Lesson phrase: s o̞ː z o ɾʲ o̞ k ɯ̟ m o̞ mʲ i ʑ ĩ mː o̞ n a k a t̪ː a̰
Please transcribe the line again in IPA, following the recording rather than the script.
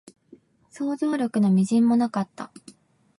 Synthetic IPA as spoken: s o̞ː z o ɾʲ o̞ k ɯ̟ n o̞ mʲ i ʑ ĩ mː o̞ n a k a t̪ː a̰